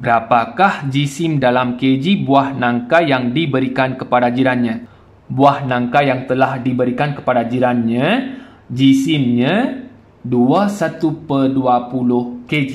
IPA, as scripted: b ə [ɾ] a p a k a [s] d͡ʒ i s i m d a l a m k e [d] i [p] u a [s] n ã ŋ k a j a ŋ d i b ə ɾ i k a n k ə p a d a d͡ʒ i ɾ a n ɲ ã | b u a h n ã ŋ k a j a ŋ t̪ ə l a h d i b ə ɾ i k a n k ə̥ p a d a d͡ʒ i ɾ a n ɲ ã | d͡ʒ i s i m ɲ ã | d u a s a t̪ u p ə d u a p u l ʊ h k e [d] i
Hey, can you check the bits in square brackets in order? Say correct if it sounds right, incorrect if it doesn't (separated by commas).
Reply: correct, incorrect, incorrect, incorrect, incorrect, incorrect